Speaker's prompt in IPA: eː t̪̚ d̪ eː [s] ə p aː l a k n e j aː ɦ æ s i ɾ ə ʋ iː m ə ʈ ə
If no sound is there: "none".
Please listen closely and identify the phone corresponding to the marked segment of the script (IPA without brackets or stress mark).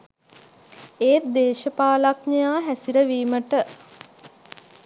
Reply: ʃ